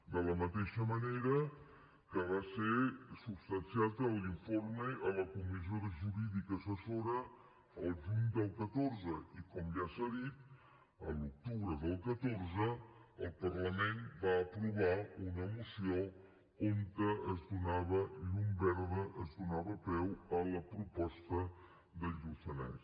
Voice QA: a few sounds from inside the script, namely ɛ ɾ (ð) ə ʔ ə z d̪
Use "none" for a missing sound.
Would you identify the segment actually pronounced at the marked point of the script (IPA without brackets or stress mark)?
ð